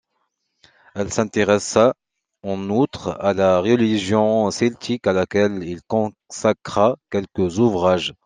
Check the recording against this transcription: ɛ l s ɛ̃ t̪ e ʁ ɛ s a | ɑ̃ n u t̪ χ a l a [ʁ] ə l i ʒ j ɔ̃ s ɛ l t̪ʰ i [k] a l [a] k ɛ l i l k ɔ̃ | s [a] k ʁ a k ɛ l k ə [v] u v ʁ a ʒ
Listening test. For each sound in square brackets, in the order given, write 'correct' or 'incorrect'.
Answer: correct, correct, correct, correct, incorrect: z

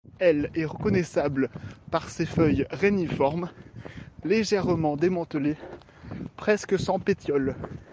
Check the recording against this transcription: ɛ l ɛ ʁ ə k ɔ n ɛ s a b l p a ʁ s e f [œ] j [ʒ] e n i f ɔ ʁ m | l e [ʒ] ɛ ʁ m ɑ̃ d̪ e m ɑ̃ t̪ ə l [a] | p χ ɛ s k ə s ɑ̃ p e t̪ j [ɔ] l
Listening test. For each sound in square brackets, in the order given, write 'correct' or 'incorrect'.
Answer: correct, incorrect: ʁ, correct, incorrect: e, correct

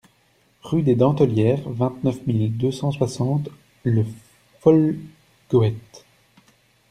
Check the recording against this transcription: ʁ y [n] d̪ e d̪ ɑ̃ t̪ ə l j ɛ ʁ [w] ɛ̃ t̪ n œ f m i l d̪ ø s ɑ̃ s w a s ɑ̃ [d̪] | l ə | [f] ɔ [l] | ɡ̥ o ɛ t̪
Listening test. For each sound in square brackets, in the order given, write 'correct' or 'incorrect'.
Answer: incorrect: none, incorrect: v, incorrect: t̪, correct, correct

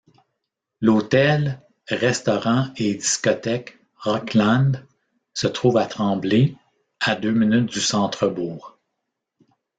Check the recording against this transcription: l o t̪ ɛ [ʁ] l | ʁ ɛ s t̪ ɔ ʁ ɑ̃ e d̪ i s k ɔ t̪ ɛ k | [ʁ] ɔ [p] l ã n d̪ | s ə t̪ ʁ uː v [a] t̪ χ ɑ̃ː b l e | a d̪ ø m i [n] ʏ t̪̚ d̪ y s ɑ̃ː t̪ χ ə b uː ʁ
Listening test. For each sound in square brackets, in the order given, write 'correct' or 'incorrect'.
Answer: incorrect: none, correct, incorrect: k, correct, correct

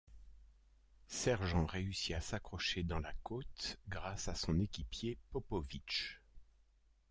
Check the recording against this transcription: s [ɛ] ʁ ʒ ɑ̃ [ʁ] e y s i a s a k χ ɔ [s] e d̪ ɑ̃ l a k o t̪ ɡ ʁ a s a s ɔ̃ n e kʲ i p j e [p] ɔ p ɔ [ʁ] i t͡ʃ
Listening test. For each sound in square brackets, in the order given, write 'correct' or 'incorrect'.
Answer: correct, correct, incorrect: ʃ, correct, incorrect: v

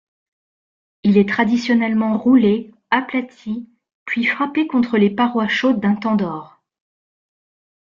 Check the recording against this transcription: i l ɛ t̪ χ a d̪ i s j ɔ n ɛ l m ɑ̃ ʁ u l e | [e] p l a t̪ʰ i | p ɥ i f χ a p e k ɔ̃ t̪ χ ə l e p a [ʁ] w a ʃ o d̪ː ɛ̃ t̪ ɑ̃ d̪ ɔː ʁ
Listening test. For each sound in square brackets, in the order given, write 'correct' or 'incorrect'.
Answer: incorrect: a, correct

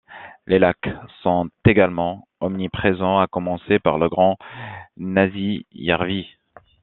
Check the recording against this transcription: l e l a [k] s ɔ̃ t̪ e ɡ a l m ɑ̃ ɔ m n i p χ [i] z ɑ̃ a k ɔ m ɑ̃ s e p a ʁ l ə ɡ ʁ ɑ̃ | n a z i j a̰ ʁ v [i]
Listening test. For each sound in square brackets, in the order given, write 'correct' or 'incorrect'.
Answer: correct, incorrect: e, correct

